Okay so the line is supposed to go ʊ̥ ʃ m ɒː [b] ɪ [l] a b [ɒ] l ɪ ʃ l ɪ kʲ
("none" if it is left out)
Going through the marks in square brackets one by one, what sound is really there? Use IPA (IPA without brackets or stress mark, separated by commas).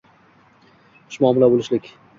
m, l, o